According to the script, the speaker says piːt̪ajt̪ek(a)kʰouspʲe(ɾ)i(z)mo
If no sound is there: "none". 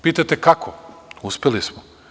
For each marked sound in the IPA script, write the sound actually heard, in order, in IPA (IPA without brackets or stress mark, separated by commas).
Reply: a, l, s